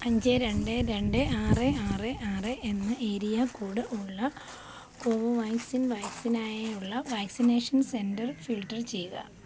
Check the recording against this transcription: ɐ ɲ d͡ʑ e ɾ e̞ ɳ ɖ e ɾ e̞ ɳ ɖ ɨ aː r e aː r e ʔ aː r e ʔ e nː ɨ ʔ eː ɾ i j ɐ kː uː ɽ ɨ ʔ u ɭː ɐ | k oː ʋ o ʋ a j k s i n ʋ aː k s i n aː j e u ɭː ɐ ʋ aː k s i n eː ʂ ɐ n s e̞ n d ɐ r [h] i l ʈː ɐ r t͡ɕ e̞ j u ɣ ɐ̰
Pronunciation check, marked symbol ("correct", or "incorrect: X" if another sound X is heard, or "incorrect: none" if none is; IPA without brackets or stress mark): incorrect: f